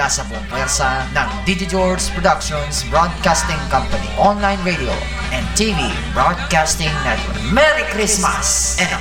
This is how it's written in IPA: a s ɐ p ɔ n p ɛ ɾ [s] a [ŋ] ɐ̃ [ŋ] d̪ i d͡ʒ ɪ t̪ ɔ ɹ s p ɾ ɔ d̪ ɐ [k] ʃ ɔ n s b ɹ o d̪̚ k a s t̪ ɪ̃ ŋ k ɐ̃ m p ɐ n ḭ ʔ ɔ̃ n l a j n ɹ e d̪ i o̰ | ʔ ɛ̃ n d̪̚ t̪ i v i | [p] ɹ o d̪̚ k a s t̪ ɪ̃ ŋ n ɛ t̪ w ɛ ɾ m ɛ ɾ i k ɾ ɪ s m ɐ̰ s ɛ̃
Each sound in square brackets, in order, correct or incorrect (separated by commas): correct, incorrect, correct, correct, incorrect